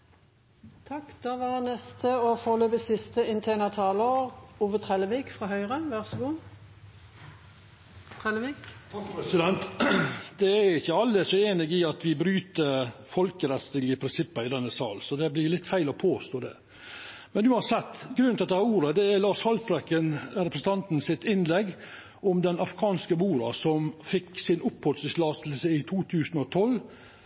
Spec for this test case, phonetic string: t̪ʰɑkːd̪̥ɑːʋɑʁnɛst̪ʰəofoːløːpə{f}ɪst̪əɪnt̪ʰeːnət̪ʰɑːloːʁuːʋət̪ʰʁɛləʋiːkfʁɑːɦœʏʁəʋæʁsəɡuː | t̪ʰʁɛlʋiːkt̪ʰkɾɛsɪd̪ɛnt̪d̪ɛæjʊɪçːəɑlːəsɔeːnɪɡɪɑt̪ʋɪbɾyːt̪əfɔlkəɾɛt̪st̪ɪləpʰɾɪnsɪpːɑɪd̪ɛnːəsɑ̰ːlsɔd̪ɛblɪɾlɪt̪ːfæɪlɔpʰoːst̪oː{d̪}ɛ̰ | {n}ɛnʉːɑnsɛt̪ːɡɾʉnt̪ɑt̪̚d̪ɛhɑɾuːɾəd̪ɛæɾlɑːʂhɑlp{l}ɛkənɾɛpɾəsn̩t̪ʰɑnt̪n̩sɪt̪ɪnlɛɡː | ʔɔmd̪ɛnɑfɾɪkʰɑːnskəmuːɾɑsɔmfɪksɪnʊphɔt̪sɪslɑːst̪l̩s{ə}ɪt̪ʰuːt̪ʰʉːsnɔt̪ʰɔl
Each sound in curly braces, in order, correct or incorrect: incorrect, correct, incorrect, incorrect, correct

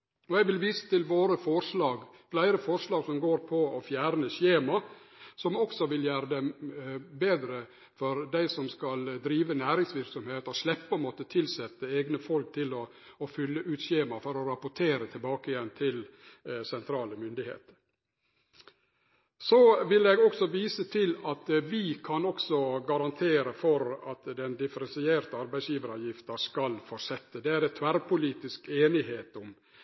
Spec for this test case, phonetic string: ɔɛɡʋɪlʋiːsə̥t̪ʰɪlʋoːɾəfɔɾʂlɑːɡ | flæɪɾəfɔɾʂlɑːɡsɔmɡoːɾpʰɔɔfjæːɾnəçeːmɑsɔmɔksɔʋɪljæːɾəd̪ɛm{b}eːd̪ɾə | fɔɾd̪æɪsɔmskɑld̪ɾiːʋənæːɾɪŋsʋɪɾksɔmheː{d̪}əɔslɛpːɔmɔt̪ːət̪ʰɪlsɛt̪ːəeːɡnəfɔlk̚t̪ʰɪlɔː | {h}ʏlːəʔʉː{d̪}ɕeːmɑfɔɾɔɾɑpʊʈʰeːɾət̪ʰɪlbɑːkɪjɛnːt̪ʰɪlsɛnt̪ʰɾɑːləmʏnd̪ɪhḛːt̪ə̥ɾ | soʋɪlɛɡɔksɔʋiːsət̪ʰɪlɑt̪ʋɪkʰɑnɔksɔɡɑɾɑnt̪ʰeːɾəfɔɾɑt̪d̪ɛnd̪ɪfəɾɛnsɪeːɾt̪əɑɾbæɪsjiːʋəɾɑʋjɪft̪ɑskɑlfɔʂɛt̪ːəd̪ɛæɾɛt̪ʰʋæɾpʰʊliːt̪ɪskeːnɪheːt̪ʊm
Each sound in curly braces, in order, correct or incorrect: correct, incorrect, incorrect, incorrect

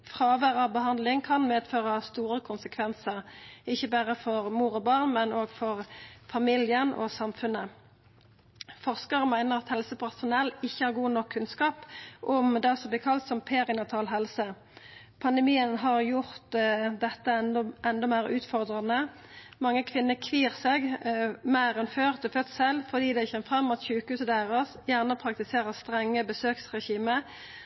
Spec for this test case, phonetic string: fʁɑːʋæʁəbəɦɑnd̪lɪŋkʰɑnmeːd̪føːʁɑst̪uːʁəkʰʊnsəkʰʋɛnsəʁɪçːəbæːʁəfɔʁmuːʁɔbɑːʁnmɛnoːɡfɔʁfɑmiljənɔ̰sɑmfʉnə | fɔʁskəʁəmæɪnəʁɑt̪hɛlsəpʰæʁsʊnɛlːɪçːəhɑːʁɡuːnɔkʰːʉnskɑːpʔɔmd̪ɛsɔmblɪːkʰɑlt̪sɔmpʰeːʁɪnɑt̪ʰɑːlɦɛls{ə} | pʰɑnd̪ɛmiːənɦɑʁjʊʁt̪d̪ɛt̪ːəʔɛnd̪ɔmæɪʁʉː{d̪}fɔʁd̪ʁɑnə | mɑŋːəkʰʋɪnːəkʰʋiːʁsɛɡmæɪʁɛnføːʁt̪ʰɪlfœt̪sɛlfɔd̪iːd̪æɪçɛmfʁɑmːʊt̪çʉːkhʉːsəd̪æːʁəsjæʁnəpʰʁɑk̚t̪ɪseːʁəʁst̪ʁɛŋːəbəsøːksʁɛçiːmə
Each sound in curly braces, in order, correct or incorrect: correct, incorrect

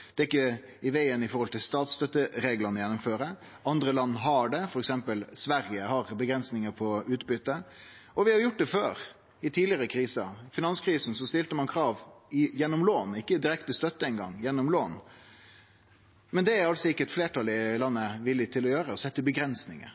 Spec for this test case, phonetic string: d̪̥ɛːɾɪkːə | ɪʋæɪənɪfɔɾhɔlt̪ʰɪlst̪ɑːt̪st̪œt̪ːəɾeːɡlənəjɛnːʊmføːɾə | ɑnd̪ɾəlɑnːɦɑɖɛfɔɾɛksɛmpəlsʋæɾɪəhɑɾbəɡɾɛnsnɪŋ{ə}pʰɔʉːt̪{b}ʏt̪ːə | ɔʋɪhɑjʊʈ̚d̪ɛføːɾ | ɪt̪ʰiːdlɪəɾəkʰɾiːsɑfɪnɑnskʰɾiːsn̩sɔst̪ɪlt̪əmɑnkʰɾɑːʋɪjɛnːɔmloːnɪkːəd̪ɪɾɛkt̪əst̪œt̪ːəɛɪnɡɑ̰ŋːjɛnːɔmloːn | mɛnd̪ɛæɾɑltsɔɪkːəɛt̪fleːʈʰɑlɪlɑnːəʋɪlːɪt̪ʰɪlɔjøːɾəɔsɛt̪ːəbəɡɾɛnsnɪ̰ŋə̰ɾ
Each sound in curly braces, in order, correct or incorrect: correct, correct

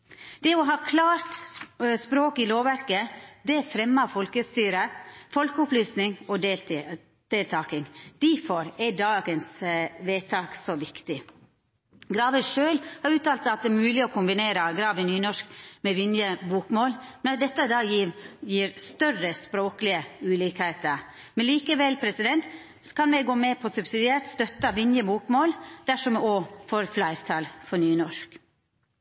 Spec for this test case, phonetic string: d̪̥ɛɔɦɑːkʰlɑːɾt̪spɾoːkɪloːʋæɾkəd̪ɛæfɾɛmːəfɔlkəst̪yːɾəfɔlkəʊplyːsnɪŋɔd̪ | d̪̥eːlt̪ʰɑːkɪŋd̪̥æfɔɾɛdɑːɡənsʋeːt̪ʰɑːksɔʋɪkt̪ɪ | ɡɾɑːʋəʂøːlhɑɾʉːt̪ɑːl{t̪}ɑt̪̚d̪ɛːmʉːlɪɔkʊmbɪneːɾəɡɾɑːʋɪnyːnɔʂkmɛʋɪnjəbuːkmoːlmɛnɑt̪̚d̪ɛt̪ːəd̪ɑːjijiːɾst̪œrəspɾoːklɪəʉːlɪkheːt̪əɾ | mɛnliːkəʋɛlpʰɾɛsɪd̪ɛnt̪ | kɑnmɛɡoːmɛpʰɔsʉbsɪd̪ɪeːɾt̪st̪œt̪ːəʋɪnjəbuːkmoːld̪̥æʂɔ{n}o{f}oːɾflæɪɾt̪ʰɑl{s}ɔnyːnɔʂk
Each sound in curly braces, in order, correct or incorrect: correct, incorrect, correct, incorrect

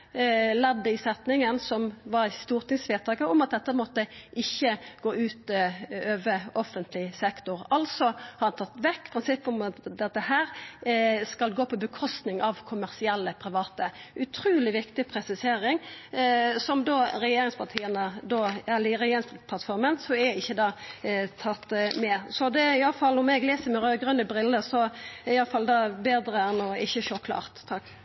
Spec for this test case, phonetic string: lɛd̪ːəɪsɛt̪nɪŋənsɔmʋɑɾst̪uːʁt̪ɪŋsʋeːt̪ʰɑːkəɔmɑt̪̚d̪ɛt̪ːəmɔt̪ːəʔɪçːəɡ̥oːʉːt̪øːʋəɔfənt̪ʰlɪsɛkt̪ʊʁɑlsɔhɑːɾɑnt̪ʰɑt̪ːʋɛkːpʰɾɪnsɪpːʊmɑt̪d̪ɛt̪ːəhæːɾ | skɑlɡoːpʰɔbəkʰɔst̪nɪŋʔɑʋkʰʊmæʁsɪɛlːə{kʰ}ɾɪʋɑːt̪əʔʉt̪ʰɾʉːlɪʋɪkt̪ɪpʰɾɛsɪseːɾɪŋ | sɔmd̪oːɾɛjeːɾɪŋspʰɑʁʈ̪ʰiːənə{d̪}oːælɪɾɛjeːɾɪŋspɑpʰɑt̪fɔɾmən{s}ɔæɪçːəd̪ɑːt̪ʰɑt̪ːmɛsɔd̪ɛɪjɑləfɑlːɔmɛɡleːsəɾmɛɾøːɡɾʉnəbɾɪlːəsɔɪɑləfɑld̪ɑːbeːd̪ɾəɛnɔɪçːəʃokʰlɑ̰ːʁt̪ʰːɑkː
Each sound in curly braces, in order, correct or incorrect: incorrect, correct, correct

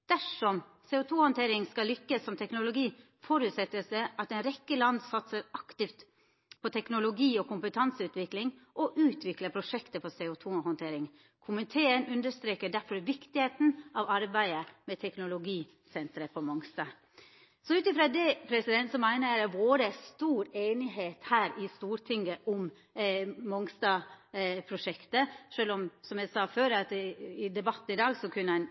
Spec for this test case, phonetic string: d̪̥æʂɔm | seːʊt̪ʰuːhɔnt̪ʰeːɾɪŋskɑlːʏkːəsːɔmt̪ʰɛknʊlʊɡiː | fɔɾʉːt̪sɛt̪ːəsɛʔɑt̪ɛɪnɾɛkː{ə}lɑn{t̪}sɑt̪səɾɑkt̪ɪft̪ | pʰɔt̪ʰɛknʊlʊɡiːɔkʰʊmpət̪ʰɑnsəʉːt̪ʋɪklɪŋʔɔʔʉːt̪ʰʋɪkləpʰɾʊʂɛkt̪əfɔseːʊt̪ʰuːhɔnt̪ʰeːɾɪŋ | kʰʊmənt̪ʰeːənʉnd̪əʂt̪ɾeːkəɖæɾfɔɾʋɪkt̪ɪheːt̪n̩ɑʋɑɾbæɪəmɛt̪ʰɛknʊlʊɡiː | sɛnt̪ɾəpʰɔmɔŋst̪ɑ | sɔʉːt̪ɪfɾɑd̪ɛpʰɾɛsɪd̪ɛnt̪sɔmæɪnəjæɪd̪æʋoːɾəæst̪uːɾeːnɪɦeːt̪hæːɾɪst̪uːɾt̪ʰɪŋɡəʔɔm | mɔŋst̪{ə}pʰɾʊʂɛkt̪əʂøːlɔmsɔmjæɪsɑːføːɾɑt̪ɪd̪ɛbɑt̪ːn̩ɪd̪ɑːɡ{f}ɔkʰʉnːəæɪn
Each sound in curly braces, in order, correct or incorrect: correct, incorrect, incorrect, incorrect

